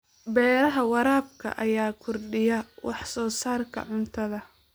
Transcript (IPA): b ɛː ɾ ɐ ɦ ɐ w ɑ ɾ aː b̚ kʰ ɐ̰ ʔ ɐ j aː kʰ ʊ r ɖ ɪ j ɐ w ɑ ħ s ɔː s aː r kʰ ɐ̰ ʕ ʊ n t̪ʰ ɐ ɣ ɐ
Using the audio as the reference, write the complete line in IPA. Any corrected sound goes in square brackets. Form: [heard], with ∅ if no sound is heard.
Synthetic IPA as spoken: b ɛː ɾ ɐ ɦ ɐ w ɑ ɾ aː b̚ kʰ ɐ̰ ʔ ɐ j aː kʰ ʊ r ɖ ɪ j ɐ w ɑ ħ s ɔː s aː r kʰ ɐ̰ ʕ ʊ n t̪ʰ ɐ [ð] ɐ